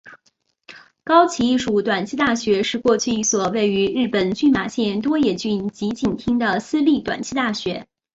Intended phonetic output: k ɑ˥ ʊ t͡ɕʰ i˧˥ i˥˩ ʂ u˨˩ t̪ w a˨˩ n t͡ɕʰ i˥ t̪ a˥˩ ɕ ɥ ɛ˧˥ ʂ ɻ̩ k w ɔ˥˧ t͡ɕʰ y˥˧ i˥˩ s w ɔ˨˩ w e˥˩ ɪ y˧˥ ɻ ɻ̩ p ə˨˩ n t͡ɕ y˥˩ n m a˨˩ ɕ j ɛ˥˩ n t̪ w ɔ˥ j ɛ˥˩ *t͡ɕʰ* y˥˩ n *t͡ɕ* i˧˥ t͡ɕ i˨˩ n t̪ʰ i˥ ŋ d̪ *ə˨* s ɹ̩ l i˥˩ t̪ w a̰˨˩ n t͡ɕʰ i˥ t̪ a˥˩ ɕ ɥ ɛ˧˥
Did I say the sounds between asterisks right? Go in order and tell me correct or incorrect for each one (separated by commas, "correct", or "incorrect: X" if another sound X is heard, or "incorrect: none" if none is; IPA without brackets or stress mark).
incorrect: t͡ɕ, correct, correct